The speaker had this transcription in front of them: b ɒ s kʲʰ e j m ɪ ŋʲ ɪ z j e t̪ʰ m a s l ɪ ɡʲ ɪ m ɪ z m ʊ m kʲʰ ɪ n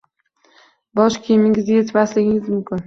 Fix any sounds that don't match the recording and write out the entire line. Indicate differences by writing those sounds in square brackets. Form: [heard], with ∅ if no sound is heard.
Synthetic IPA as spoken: b ɒ [ʃ] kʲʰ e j m ɪ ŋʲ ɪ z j e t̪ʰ m a s l ɪ ɡʲ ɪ [ŋ] ɪ z m ʊ m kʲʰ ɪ n